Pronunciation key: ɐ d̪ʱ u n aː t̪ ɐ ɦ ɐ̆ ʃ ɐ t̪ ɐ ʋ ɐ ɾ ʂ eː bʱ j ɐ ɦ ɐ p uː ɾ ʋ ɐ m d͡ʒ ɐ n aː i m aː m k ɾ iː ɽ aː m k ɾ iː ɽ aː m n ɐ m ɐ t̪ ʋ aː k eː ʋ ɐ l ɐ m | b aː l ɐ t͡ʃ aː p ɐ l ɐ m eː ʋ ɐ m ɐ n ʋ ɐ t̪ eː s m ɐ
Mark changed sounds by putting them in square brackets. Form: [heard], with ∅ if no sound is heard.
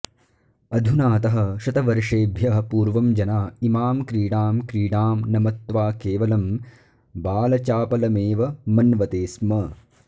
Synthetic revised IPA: ɐ d̪ʱ u n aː t̪ ɐ ɦ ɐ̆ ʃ ɐ t̪ ɐ ʋ ɐ ɾ ʂ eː bʱ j ɐ ɦ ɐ p uː ɾ ʋ ɐ m d͡ʒ ɐ n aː i m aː m k ɾ iː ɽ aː m k ɾ iː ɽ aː m n ɐ m ɐ t̪ ʋ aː k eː ʋ ɐ l ɐ m | b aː l ɐ t͡ʃ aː p ɐ l ɐ m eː ʋ ɐ m ɐ n ʋ ɐ t̪ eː s m ɐ